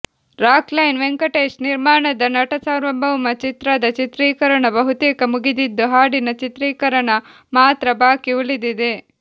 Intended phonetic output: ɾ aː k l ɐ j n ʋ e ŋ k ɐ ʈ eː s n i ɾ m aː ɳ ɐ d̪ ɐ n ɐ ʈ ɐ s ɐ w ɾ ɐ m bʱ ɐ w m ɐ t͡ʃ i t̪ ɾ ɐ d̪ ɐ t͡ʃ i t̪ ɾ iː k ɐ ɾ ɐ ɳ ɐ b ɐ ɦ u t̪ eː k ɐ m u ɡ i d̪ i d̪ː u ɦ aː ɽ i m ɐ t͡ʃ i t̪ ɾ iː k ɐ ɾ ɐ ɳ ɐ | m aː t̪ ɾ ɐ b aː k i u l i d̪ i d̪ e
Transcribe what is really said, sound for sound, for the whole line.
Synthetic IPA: ɾ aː k l ɐ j n ʋ e ŋ k ɐ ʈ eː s n i ɾ m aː ɳ ɐ d̪ ɐ n ɐ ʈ ɐ s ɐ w ɾ ɐ m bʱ ɐ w m ɐ t͡ʃ i t̪ ɾ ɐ d̪ ɐ t͡ʃ i t̪ ɾ iː k ɐ ɾ ɐ ɳ ɐ b ɐ ɦ u t̪ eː k ɐ m u ɡ i d̪ i d̪ː u ɦ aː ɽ i n ɐ t͡ʃ i t̪ ɾ iː k ɐ ɾ ɐ ɳ ɐ | m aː t̪ ɾ ɐ b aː k i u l i d̪ i d̪ e